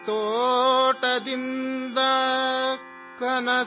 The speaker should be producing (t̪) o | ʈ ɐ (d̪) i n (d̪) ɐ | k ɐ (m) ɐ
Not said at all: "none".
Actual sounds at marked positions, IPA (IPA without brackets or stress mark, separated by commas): t̪, d̪, d̪, n